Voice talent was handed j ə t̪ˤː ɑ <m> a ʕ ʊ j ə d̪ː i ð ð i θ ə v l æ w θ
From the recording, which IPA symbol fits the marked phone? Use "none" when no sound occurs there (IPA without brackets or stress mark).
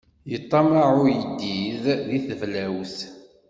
m